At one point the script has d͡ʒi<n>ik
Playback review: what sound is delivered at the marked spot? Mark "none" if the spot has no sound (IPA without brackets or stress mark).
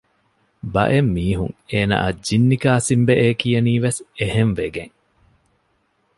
nː